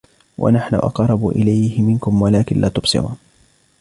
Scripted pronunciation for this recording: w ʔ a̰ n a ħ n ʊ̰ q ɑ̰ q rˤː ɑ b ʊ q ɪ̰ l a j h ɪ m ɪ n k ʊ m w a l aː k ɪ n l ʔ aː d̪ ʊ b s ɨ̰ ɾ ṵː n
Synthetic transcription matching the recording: w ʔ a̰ n a ħ n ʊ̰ ʔ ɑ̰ q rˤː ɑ b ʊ ʔ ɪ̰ l a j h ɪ m ɪ n k ʊ m w a l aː k ɪ n l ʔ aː t̪ ʊ b s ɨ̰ ɾ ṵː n